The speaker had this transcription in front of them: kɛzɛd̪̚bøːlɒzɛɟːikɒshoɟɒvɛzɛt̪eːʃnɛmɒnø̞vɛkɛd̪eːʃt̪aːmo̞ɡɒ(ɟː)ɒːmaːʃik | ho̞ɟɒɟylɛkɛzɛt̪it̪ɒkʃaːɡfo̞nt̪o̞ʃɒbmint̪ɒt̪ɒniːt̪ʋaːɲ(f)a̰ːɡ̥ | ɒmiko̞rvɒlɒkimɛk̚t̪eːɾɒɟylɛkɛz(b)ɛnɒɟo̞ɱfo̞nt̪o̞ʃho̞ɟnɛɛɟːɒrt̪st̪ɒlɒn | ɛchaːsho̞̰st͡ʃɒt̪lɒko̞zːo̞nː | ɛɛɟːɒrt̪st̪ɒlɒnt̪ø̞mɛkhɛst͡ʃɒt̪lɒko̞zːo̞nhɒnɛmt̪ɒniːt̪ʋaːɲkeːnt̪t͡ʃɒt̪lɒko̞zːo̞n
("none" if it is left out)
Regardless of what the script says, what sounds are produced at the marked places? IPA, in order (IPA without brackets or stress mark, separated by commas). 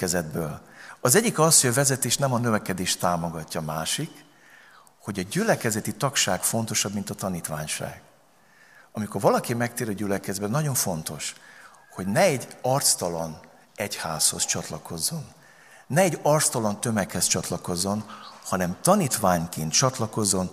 cː, ʃ, b